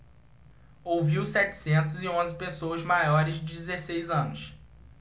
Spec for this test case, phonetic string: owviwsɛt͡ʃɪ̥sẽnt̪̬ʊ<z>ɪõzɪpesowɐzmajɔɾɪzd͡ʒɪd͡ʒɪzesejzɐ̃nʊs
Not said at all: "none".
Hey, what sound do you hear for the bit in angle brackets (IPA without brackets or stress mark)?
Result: z